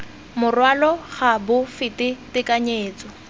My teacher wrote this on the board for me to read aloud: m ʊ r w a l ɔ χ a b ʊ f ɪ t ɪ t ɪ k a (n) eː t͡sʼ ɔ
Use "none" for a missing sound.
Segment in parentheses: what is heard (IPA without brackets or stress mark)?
ɲ